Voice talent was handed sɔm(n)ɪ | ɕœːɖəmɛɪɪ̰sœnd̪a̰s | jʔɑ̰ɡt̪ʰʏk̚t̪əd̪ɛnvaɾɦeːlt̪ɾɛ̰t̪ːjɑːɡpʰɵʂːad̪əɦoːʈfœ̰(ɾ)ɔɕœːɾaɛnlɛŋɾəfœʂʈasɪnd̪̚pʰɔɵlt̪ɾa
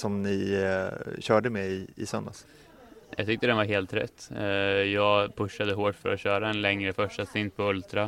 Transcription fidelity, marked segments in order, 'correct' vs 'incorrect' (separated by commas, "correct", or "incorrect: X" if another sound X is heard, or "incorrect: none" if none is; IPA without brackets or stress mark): correct, correct